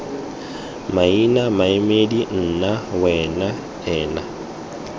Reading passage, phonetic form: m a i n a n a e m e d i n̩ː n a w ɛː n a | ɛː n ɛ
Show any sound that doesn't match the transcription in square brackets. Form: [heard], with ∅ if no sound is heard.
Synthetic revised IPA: m a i n a [m] a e m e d i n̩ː n a w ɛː n a | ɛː n [a]